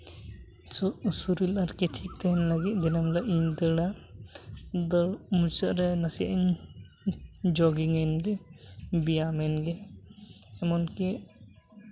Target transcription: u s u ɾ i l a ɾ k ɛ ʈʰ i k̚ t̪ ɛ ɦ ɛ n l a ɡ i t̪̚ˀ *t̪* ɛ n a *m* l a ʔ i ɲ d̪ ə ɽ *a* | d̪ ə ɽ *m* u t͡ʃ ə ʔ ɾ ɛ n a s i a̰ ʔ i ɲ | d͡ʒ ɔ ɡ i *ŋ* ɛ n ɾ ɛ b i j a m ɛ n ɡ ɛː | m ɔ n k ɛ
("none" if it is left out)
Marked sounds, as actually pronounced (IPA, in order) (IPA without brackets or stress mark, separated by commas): d̪, m, a, m, ŋ